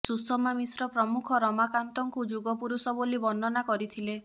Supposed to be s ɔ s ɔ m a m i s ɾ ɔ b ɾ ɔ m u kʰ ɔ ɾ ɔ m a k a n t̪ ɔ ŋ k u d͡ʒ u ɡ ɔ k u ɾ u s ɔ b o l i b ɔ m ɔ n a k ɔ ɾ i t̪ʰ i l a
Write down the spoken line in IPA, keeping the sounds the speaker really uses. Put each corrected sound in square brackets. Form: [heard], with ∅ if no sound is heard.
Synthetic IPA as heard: s [u] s ɔ m a m i s ɾ ɔ [p] ɾ ɔ m u kʰ ɔ ɾ ɔ m a k a n t̪ ɔ ŋ k u d͡ʒ u ɡ ɔ [p] u ɾ u s ɔ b o l i b ɔ [n] ɔ n a k ɔ ɾ i t̪ʰ i l [e]